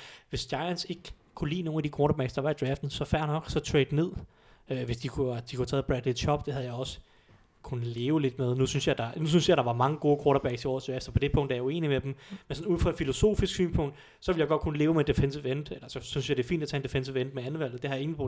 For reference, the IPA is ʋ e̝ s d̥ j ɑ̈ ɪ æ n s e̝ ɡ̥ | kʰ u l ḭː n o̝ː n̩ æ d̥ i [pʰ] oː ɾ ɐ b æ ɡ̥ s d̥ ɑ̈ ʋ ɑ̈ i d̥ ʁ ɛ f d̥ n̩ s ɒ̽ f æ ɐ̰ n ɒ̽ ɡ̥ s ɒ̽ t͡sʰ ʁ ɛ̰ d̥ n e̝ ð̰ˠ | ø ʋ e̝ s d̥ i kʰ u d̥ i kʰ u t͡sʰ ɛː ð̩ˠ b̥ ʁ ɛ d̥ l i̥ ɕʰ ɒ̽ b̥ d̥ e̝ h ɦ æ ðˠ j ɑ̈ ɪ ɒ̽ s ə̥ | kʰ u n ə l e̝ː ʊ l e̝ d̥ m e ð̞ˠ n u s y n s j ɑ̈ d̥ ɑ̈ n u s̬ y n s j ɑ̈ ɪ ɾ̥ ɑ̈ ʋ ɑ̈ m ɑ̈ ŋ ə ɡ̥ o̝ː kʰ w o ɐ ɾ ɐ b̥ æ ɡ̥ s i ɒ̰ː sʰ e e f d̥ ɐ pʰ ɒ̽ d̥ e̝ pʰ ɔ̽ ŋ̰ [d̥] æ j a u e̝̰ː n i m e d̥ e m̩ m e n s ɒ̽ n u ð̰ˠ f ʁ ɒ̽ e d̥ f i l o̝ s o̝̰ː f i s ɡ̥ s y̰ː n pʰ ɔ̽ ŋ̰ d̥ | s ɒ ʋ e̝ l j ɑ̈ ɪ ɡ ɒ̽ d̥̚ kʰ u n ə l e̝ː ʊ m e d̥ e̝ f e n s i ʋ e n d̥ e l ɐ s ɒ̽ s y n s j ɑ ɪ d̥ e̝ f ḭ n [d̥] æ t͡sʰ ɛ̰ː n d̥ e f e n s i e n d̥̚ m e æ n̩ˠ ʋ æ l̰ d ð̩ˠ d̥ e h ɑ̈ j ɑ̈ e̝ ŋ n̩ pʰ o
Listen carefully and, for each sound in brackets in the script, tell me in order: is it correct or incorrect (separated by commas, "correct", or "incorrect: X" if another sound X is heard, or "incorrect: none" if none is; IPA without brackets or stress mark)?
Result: incorrect: kʰ, correct, correct